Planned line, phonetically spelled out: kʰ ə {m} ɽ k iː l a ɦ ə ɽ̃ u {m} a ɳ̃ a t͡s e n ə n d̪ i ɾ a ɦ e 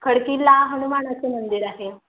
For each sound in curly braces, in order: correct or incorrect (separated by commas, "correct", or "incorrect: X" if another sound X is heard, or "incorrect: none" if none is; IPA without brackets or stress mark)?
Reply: incorrect: none, correct